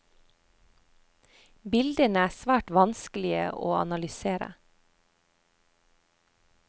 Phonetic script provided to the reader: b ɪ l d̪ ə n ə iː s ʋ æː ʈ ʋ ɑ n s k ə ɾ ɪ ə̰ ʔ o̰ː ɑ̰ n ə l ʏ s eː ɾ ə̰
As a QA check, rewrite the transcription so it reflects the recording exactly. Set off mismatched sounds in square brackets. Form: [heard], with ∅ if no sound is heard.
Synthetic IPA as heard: b ɪ l d̪ ə n ə [æː] s ʋ æː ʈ ʋ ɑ n s k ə [l] ɪ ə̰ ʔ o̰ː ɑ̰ n [ɑ] l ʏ s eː ɾ ə̰